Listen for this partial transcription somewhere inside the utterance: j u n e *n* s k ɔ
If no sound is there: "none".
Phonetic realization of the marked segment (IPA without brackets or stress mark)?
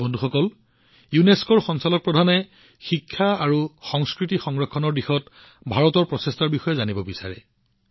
none